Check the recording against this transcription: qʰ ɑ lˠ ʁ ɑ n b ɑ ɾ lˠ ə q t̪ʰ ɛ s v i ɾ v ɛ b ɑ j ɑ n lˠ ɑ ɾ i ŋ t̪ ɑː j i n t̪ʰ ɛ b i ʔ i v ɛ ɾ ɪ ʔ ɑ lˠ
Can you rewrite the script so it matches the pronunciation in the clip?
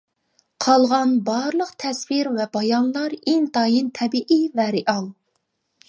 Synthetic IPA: qʰ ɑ lˠ ʁ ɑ n b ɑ ɾ lˠ ə q t̪ʰ ɛ s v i ɾ v ɛ b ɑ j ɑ n lˠ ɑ ɾ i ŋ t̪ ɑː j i n t̪ʰ ɛ b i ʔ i v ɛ ɾ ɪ ʔ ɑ lˠ